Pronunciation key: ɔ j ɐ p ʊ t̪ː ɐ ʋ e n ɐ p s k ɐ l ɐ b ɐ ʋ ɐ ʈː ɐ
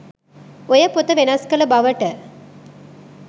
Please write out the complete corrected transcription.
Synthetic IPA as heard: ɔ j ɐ p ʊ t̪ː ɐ ʋ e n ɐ s k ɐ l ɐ b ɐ ʋ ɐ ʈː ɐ